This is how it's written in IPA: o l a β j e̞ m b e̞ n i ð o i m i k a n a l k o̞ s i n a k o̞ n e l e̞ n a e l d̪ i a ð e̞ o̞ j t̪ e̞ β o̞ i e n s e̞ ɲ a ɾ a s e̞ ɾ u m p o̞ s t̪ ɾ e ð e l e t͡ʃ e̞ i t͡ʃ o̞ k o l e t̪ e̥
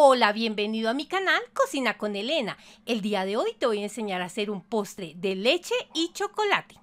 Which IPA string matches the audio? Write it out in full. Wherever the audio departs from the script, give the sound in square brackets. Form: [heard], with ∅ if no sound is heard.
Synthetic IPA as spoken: o l a β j e̞ m b e̞ n i ð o [a] m i k a n a l k o̞ s i n a k o̞ n e l e̞ n a e l d̪ i a ð e̞ o̞ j t̪ e̞ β o̞ [j] e n s e̞ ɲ a ɾ a s e̞ ɾ u m p o̞ s t̪ ɾ e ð e l e t͡ʃ e̞ i t͡ʃ o̞ k o l [a] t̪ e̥